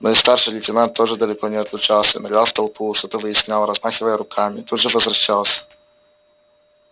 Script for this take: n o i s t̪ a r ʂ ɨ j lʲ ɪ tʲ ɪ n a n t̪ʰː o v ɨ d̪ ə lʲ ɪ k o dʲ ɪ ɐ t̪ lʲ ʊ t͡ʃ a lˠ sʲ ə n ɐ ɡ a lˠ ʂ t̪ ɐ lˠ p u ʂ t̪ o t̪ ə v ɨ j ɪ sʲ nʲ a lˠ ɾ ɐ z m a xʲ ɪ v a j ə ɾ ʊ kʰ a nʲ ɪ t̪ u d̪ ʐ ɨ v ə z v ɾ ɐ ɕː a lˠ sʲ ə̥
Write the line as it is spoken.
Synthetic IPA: n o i s t̪ a r ʂ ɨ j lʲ ɪ tʲ ɪ n a n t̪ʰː o ʐ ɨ d̪ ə lʲ ɪ k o nʲ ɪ ɐ t̪ lʲ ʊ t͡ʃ a lˠ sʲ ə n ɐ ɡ a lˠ f t̪ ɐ lˠ p u ʂ t̪ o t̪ ə v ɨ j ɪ sʲ nʲ a lˠ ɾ ɐ z m a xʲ ɪ v ə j ə ɾ ʊ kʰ a mʲ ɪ t̪ u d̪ ʐ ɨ v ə z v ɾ ɐ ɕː a lˠ sʲ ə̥